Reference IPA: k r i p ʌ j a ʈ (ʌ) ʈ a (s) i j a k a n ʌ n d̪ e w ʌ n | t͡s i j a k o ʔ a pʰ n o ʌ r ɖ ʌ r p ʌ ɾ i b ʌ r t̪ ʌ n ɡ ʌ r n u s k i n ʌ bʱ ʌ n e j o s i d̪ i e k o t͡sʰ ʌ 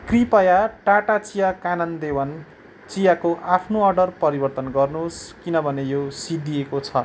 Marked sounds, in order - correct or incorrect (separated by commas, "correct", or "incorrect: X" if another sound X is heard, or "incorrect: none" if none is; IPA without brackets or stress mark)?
incorrect: a, incorrect: t͡s